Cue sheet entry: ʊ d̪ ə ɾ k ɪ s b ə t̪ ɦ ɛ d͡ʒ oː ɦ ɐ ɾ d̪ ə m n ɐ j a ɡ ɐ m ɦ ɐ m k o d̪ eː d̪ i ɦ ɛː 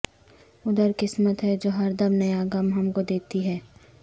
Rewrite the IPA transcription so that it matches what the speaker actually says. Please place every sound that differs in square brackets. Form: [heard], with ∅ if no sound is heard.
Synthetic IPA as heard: ʊ d̪ ə ɾ k ɪ s [m] ə t̪ ɦ ɛ d͡ʒ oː ɦ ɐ ɾ d̪ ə m n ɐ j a ɡ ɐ m ɦ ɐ m k o d̪ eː [t̪] i ɦ ɛː